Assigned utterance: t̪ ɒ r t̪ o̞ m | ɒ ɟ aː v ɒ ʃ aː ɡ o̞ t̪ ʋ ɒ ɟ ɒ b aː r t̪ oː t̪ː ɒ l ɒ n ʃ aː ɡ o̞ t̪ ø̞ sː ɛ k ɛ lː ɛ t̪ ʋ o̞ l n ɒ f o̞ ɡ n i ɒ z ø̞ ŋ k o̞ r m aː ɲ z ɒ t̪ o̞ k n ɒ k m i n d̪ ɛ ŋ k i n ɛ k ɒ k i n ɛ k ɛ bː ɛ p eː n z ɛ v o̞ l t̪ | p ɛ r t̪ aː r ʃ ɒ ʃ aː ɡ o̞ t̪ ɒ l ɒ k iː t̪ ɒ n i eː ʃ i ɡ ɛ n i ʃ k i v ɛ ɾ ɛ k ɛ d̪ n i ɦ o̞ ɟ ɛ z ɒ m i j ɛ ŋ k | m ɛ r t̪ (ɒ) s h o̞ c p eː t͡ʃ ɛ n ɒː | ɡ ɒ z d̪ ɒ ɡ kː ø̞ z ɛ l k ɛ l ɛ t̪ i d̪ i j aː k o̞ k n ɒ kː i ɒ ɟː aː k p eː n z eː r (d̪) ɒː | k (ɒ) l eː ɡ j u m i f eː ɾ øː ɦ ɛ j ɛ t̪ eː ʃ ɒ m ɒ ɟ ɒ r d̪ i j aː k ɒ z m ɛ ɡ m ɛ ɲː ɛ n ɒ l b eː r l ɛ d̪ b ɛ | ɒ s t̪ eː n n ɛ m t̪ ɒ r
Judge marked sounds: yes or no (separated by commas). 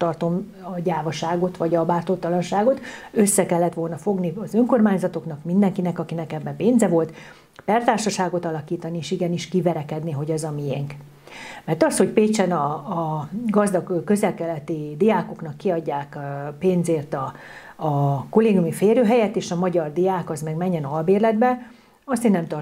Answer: yes, no, no